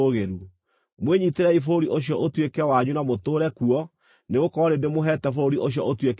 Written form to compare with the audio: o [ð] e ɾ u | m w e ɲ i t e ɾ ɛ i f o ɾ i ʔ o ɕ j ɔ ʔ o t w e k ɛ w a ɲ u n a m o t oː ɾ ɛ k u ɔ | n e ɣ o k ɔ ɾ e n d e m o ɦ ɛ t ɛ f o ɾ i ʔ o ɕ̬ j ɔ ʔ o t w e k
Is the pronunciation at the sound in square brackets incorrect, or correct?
incorrect